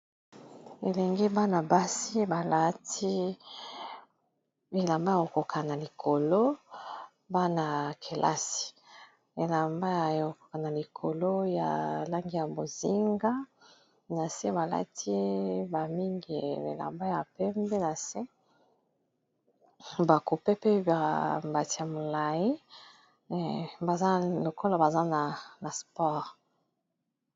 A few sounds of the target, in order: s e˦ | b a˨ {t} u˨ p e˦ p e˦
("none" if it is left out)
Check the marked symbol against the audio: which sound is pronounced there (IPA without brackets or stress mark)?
k